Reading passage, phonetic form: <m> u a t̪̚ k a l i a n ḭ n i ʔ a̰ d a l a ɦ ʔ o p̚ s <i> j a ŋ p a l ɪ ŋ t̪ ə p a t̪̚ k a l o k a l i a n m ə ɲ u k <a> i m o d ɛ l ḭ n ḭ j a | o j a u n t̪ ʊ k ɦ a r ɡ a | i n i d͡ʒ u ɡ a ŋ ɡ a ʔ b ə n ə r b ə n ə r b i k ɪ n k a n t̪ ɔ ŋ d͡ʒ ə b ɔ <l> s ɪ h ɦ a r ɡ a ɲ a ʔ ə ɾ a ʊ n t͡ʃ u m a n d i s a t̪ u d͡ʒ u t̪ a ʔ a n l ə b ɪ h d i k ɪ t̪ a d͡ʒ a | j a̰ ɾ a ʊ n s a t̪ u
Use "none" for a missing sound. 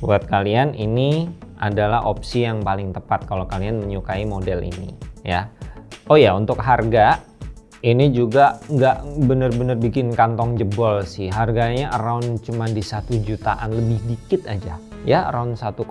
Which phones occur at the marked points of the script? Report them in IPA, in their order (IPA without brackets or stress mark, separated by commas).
b, i, a, l